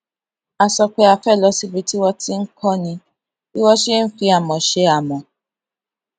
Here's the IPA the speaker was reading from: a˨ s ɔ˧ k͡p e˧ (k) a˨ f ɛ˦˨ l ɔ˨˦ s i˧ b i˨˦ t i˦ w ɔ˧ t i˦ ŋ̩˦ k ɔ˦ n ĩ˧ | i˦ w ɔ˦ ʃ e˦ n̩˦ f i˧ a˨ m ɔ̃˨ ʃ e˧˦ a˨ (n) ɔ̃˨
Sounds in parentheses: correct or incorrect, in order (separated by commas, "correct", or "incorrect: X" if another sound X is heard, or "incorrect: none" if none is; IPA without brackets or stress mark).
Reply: incorrect: none, incorrect: m